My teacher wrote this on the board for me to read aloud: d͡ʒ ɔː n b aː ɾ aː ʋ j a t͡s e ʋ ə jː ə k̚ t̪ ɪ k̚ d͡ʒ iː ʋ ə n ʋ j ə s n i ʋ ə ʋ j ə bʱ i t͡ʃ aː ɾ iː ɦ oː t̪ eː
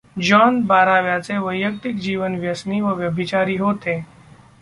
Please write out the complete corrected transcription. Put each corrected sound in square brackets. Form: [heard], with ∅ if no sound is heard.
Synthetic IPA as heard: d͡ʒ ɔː n b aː ɾ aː ʋ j a t͡s e ʋ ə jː ə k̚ t̪ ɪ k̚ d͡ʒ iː ʋ ə n ʋ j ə s n i ʋ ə ʋ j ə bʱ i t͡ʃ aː ɾ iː ɦ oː t̪ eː